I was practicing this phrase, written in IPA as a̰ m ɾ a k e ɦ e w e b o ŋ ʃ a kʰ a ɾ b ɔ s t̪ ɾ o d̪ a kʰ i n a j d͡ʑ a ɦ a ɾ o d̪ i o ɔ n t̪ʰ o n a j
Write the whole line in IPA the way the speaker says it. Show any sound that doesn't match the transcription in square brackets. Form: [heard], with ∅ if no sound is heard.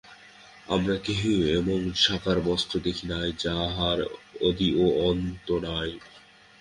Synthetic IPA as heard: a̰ m ɾ a k e ɦ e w e b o ŋ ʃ a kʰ a ɾ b ɔ s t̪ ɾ o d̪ [e] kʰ i n a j d͡ʑ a ɦ a ɾ o d̪ i o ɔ n [t̪] o n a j